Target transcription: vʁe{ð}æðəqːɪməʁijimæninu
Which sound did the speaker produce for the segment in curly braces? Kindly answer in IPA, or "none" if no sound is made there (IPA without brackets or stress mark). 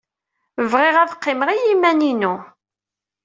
ʁ